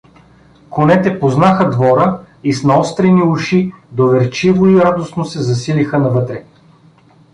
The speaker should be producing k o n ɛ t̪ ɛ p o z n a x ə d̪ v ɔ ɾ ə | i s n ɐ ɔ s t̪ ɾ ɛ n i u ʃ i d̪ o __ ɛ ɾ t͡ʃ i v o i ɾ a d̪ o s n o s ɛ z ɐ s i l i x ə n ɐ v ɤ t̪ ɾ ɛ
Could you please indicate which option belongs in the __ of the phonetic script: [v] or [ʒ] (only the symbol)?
v